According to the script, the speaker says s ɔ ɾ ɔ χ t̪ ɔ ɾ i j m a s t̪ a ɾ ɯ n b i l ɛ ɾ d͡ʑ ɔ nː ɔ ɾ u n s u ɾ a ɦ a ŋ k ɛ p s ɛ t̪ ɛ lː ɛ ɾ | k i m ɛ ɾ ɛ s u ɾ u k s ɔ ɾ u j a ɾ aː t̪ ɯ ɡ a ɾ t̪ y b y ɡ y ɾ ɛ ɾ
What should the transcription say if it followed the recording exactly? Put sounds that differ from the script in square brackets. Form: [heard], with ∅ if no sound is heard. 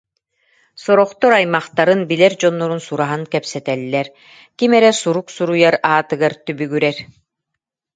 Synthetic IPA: s ɔ ɾ ɔ χ t̪ ɔ ɾ [a] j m a [χ] t̪ a ɾ ɯ n b i l ɛ ɾ d͡ʑ ɔ nː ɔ ɾ u n s u ɾ a ɦ a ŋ k ɛ p s ɛ t̪ ɛ lː ɛ ɾ | k i m ɛ ɾ ɛ s u ɾ u k s [u] ɾ u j a ɾ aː t̪ ɯ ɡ a ɾ t̪ y b y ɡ y ɾ ɛ ɾ